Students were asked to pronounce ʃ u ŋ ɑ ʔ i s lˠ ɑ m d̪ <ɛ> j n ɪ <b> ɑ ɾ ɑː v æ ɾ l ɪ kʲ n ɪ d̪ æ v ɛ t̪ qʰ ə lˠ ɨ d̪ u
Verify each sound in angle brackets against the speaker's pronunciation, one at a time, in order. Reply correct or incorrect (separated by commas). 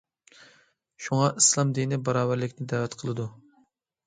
incorrect, correct